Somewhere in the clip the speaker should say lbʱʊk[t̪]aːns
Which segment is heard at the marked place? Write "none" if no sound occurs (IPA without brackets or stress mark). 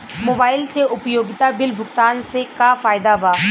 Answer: t̪